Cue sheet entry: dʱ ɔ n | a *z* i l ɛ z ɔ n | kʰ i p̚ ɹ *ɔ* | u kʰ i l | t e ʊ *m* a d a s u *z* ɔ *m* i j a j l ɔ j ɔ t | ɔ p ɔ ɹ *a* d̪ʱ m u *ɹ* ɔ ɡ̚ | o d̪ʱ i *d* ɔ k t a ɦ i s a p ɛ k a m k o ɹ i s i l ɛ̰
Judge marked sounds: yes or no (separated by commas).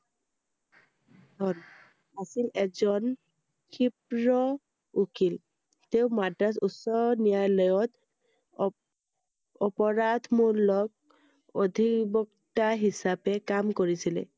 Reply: no, yes, yes, no, no, yes, no, no